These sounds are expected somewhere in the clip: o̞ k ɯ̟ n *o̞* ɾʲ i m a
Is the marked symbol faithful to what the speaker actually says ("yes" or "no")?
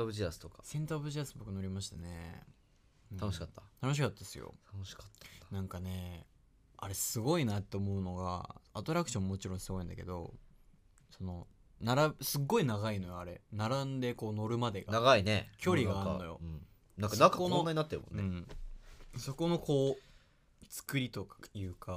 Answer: yes